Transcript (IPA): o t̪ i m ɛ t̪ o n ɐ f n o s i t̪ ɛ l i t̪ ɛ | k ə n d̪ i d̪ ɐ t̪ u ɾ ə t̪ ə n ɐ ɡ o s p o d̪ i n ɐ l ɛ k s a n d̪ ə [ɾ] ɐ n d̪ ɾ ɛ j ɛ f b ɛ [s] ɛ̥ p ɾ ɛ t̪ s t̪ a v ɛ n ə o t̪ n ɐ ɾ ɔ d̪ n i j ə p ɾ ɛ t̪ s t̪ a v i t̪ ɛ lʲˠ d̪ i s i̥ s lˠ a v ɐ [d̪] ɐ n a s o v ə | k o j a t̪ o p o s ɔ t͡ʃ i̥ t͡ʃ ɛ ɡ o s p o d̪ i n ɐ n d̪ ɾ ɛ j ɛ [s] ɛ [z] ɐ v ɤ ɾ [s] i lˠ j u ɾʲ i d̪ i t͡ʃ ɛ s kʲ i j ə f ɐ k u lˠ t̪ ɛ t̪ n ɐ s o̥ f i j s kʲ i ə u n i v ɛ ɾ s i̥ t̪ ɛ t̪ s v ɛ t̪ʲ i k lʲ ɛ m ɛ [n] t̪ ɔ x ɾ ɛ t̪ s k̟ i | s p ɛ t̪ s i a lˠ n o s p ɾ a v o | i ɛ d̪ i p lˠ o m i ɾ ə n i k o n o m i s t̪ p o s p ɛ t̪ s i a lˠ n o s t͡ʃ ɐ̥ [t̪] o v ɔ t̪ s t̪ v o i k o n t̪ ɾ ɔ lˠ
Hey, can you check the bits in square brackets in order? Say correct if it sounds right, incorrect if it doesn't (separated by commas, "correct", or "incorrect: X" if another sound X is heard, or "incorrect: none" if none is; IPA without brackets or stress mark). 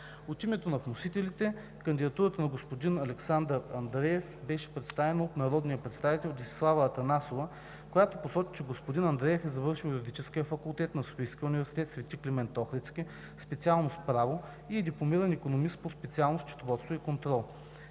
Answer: correct, incorrect: ʃ, incorrect: t̪, incorrect: f, correct, incorrect: ʃ, correct, correct